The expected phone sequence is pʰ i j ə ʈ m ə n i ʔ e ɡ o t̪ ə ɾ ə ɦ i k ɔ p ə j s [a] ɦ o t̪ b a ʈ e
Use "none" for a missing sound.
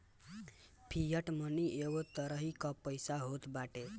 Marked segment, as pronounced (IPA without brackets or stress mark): a